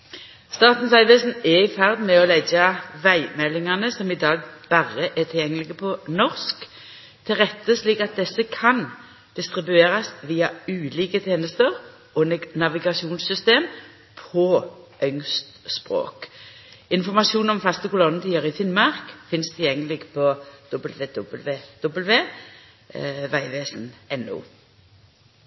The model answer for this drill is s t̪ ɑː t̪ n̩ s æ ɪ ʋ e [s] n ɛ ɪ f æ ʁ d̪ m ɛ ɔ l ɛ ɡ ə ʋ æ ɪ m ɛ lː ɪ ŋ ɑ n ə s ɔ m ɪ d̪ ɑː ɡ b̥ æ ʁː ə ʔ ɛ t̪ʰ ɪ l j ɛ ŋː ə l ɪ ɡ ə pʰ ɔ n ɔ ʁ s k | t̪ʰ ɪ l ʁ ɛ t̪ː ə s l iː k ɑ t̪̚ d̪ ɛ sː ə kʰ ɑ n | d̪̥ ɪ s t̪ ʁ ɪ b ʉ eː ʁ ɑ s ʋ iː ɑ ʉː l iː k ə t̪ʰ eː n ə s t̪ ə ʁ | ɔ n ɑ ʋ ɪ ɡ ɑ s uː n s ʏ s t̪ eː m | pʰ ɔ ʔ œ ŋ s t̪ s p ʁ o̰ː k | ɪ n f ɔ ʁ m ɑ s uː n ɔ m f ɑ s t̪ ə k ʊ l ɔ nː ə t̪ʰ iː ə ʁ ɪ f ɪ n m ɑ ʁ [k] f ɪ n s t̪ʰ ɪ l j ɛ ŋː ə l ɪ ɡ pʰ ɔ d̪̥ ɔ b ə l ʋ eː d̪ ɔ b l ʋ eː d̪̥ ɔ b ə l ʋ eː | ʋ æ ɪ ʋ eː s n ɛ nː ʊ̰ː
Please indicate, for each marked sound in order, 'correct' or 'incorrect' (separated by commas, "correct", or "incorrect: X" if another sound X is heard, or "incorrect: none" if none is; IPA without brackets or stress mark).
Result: correct, correct